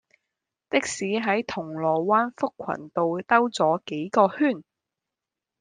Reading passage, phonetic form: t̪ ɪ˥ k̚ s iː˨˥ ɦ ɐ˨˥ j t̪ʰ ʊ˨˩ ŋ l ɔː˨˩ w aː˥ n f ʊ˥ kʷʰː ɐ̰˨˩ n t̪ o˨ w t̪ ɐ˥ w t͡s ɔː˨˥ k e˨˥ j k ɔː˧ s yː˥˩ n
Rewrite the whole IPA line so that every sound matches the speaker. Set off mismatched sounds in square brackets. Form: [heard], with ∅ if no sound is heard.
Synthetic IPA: t̪ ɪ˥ k̚ s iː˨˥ ɦ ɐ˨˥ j t̪ʰ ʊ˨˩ ŋ l ɔː˨˩ w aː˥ n f ʊ˥ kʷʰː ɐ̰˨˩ n t̪ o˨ w t̪ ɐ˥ w t͡s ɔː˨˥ k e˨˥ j k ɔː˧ [h] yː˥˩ n